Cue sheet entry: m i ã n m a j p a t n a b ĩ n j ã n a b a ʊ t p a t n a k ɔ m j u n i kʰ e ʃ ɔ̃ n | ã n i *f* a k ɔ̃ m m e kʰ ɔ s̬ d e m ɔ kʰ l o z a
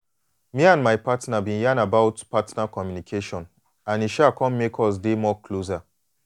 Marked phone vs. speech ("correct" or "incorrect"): incorrect